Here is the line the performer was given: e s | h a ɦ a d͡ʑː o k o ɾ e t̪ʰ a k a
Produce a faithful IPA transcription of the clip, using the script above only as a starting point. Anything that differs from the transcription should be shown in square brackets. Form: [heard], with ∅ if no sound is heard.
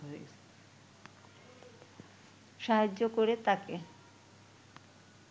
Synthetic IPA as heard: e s | [ʃ] a ɦ a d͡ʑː o k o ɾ e [t̪] a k [e]